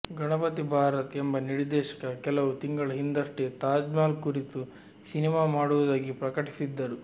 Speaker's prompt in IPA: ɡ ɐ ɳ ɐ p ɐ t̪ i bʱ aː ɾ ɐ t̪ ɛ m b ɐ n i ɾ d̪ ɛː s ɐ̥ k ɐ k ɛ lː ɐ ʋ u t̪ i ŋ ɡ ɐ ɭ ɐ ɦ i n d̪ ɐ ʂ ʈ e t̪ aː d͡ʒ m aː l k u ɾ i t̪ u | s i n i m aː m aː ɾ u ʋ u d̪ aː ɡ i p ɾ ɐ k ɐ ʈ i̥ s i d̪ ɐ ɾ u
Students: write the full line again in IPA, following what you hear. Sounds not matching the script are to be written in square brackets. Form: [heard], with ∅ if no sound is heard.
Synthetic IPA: ɡ ɐ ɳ ɐ p ɐ t̪ i bʱ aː ɾ ɐ t̪ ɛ m b ɐ n i ɾ d̪ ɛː [ʃ] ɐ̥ k ɐ k ɛ [l] ɐ ʋ u t̪ i ŋ ɡ ɐ ɭ ɐ ɦ i n d̪ ɐ ʂ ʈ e t̪ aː d͡ʒ m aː l k u ɾ i t̪ u | s i n i m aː m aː [ɽ] u ʋ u d̪ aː ɡ i p ɾ ɐ k ɐ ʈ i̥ s i [d̪ː] ɐ ɾ u